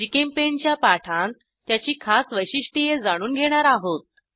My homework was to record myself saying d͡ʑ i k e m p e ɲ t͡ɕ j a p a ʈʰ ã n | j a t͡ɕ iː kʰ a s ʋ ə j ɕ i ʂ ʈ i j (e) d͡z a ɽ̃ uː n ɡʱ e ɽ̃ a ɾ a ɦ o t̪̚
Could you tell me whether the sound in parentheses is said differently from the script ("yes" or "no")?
no